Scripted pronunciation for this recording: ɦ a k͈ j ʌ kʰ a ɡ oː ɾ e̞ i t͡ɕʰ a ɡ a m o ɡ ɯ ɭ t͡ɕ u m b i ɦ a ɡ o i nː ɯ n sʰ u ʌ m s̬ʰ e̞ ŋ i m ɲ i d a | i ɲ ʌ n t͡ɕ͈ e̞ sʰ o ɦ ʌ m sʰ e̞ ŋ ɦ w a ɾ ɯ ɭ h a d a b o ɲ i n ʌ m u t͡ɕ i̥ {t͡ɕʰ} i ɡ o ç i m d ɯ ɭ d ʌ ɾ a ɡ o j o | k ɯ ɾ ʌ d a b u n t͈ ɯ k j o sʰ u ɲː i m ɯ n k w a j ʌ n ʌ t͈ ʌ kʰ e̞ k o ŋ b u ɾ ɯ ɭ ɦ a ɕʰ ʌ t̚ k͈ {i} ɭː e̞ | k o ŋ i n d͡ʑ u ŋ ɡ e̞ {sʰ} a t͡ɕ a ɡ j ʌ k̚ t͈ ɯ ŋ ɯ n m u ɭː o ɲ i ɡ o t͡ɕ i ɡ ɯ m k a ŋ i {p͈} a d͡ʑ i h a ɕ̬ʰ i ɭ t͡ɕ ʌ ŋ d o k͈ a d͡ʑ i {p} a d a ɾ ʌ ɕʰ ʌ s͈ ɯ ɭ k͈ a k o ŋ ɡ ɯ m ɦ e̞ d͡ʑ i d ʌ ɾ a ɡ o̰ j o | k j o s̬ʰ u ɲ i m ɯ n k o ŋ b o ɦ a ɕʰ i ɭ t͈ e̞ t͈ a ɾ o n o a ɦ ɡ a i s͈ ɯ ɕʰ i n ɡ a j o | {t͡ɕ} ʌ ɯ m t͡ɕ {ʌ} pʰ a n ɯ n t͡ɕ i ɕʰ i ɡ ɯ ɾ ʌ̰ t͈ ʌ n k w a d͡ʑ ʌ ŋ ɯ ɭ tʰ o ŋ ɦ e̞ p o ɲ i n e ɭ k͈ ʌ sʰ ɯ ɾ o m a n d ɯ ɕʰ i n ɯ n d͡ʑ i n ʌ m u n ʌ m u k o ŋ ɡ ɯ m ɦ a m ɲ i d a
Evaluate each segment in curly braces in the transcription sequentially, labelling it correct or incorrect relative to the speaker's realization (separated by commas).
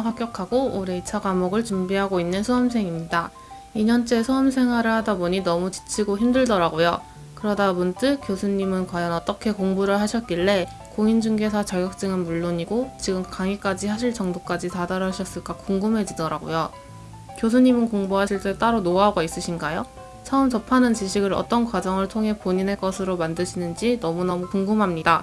correct, correct, correct, incorrect, incorrect, incorrect, correct